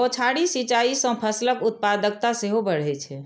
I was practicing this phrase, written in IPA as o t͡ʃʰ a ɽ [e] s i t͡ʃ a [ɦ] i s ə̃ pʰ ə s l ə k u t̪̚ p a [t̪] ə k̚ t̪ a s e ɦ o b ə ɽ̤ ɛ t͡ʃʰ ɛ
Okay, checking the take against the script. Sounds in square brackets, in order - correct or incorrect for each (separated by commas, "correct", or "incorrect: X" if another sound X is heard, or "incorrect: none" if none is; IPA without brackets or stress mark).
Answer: incorrect: i, incorrect: none, incorrect: d̪